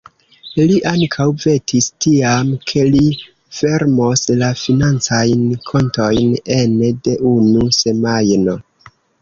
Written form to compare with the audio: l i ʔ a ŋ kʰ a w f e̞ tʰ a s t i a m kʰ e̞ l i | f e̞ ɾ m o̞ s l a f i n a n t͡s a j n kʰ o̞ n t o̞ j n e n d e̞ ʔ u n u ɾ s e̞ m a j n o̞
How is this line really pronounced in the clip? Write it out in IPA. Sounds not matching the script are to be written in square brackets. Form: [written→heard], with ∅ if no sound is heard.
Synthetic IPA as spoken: l i ʔ a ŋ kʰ a w [f→v] e̞ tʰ [a→i] s t i a m kʰ e̞ l i | f e̞ ɾ m o̞ s l a f i n a n t͡s a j n kʰ o̞ n t o̞ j n e n d e̞ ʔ u n u [ɾ→∅] s e̞ m a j n o̞